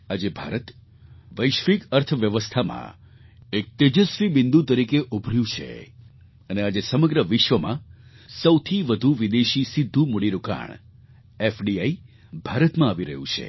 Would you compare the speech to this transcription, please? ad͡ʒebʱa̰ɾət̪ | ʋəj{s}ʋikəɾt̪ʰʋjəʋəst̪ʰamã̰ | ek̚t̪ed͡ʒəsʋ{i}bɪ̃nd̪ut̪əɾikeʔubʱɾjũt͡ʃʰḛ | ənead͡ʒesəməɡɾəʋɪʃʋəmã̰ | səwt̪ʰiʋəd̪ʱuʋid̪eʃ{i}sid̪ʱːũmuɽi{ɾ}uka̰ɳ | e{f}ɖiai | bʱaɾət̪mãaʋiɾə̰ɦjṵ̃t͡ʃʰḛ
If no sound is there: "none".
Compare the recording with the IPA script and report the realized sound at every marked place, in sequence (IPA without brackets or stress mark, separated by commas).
ʃ, i, i, ɾ, f